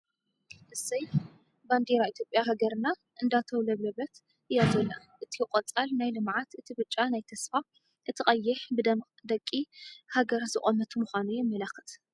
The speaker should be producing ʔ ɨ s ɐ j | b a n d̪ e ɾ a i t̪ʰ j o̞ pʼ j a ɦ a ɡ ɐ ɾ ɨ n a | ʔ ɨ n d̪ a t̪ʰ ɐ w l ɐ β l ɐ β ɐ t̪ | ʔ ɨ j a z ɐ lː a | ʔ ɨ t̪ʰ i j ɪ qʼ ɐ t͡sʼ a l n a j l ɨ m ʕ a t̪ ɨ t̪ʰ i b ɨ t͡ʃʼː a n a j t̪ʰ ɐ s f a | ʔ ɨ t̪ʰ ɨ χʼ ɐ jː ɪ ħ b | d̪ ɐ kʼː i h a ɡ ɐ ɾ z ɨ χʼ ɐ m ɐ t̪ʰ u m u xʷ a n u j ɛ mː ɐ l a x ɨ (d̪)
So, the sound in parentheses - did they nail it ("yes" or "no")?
no